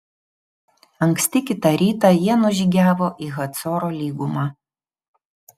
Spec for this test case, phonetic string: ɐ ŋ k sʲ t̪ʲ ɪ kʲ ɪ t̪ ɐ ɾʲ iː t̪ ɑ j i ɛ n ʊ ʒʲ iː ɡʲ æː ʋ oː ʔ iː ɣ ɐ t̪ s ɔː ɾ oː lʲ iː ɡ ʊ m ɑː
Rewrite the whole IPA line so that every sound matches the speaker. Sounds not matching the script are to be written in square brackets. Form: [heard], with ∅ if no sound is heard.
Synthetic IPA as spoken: ɐ ŋ k sʲ t̪ʲ ɪ kʲ ɪ t̪ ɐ ɾʲ iː t̪ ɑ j i ɛ n ʊ ʒʲ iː ɡʲ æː ʋ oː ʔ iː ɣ ɐ t̪ s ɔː ɾ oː lʲ iː ɡ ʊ m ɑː

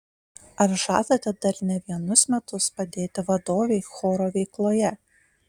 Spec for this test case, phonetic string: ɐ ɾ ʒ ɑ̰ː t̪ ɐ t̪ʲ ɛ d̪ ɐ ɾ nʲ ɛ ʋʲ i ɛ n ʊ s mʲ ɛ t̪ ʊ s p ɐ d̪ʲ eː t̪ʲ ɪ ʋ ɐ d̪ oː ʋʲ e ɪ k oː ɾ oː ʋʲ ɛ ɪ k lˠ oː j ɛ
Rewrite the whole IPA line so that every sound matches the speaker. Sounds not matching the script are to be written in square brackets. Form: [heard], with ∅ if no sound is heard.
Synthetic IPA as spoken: ɐ ɾ ʒ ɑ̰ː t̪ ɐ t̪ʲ ɛ d̪ ɐ ɾ nʲ ɛ ʋʲ i ɛ n ʊ s mʲ ɛ t̪ ʊ s p ɐ d̪ʲ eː t̪ʲ ɪ ʋ ɐ d̪ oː ʋʲ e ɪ [x] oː ɾ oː ʋʲ ɛ ɪ k lˠ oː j ɛ

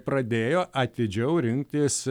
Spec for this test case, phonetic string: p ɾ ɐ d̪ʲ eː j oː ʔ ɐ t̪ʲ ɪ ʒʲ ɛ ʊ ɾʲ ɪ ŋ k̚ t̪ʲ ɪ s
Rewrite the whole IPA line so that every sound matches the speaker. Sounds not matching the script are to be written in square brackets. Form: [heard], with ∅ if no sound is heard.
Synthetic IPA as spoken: p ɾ ɐ d̪ʲ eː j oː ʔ ɐ t̪ʲ ɪ [d͡ʒʲ] ɛ ʊ ɾʲ ɪ ŋ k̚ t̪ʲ ɪ s

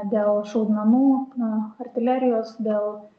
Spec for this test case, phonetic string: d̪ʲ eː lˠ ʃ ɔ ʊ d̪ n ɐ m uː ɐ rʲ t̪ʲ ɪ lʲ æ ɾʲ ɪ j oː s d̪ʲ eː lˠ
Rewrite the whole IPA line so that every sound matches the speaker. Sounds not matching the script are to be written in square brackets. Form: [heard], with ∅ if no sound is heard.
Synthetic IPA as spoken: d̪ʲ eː lˠ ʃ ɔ ʊ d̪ n ɐ m uː ɐ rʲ t̪ʲ ɪ lʲ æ ɾʲ ɪ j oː s d̪ʲ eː lˠ

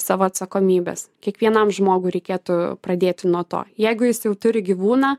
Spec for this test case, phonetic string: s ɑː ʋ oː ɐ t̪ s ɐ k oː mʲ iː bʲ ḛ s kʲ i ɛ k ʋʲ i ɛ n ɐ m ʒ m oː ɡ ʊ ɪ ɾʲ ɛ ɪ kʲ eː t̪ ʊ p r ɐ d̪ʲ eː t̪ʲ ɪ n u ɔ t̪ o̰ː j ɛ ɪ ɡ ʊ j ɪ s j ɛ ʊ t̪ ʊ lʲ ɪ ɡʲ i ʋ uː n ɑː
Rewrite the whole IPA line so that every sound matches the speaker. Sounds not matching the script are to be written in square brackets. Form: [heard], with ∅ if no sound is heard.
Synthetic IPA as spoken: s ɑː ʋ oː ɐ t̪ s ɐ k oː mʲ iː bʲ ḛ s kʲ i ɛ k ʋʲ i ɛ n ɐ m ʒ m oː ɡ ʊ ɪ ɾʲ ɛ ɪ kʲ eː t̪ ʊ p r ɐ d̪ʲ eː t̪ʲ ɪ n u ɔ t̪ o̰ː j ɛ ɪ ɡ ʊ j ɪ s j ɛ ʊ t̪ ʊ [ɾʲ] ɪ ɡʲ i ʋ uː n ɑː

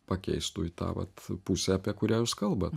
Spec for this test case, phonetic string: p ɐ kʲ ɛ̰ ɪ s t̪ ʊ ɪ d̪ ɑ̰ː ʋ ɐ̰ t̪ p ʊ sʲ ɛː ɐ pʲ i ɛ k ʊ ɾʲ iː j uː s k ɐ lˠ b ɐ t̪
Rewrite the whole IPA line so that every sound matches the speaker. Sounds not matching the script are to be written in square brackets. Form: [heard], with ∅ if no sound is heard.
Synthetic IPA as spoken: p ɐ kʲ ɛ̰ ɪ s t̪ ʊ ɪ [t̪] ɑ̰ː ʋ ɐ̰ t̪ p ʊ sʲ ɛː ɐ pʲ i ɛ k ʊ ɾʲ [æː] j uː s k ɐ lˠ b ɐ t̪

